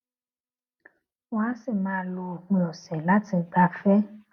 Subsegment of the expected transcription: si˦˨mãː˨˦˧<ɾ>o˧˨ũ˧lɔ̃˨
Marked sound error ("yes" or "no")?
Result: yes